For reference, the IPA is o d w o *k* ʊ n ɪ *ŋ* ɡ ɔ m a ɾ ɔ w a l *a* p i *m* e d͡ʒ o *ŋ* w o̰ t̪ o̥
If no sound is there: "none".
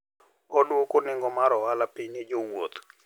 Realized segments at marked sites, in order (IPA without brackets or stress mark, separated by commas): k, ŋ, a, ɲ, ŋ